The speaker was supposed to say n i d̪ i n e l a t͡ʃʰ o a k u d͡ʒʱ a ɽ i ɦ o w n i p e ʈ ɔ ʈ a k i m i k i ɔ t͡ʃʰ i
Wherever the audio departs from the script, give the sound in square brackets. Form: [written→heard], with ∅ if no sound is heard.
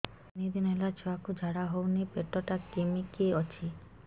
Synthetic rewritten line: n i d̪ i n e l a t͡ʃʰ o a k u d͡ʒʱ a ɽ [i→a] ɦ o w n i p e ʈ ɔ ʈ a k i m i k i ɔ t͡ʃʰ i